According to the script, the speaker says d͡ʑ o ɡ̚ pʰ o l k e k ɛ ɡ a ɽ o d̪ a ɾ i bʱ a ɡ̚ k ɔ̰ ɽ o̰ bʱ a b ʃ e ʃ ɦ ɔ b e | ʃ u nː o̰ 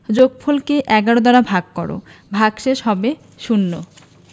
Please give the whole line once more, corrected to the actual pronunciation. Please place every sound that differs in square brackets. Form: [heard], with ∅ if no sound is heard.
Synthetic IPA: d͡ʑ o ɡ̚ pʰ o l k e [ʔ] ɛ ɡ a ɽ o d̪ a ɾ [a] bʱ a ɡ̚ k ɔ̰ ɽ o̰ bʱ a [ɡ] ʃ e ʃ ɦ ɔ b e | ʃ u nː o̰